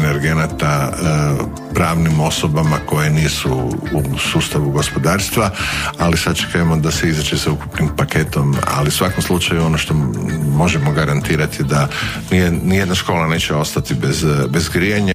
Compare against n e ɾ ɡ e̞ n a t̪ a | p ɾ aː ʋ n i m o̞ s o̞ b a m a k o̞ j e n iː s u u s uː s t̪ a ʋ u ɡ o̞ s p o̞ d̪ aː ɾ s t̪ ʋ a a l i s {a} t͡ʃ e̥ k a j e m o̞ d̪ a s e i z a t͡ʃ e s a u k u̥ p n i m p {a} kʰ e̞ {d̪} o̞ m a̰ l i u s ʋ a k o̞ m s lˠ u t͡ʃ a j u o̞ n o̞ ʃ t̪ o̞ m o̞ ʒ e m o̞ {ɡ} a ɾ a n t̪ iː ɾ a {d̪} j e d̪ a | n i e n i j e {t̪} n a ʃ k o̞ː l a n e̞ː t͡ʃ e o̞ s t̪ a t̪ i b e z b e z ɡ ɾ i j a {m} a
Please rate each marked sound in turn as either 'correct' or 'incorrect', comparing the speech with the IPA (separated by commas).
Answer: correct, correct, incorrect, correct, incorrect, incorrect, incorrect